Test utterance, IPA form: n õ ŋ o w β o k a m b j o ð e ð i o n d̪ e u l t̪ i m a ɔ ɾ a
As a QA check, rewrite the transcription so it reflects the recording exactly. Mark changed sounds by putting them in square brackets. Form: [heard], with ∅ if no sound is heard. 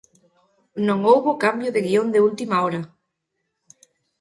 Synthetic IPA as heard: n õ ŋ o w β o k a m b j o ð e [ɣ] i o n d̪ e u l t̪ i m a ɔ ɾ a